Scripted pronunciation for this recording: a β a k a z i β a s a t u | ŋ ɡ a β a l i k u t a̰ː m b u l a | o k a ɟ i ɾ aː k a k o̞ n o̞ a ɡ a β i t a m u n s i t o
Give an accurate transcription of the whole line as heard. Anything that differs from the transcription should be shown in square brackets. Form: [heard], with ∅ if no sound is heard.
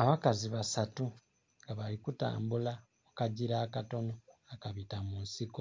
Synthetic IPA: a β a k a z i β a s a t u | ŋ ɡ a β a l i k u t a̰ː m b u l a | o k a ɟ i ɾ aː k a [t] o̞ n o̞ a [k] a β i t a m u n s i [k] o